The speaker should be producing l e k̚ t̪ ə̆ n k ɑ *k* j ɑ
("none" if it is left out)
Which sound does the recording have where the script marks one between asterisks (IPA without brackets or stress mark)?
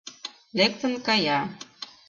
none